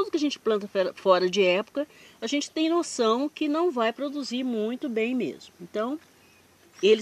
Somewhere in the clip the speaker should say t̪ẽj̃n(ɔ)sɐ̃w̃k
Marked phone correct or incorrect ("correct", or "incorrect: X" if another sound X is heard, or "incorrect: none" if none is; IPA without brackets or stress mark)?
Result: incorrect: o